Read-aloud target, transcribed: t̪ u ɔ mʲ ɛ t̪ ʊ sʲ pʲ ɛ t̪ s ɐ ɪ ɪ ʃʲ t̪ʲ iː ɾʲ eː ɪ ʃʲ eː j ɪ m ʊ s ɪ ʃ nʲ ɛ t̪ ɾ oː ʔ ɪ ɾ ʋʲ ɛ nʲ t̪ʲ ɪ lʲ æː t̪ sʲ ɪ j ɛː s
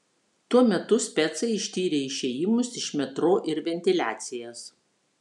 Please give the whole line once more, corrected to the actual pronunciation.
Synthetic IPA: t̪ u ɔ mʲ ɛ t̪ ʊ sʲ pʲ ɛ t̪ s ɐ ɪ ɪ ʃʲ t̪ʲ iː ɾʲ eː ɪ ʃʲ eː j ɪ m ʊ s ɪ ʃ mʲ ɛ t̪ ɾ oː ʔ ɪ ɾ ʋʲ ɛ nʲ t̪ʲ ɪ lʲ æː t̪ sʲ ɪ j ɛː s